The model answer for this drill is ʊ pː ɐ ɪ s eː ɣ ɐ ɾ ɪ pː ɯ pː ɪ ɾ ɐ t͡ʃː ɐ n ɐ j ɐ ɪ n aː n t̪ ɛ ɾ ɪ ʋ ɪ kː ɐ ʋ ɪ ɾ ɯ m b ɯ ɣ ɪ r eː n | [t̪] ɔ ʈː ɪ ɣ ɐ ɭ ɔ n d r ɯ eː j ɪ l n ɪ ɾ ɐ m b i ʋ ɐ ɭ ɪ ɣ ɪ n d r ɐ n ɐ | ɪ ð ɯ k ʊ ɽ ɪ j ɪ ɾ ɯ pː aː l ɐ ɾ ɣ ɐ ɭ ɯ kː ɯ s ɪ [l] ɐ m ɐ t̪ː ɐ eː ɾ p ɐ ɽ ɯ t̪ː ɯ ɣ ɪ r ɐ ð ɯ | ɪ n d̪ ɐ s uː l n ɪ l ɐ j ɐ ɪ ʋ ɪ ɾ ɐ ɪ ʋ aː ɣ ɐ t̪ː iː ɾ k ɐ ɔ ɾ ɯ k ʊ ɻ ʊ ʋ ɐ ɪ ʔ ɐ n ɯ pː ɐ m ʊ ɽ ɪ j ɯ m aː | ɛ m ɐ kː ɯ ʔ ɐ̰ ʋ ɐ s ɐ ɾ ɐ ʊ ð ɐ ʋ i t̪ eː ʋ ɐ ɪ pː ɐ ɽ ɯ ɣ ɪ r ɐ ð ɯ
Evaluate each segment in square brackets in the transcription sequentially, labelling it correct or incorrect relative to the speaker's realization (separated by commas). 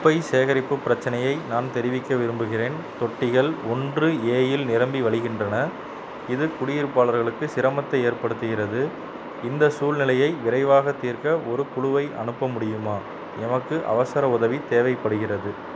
correct, incorrect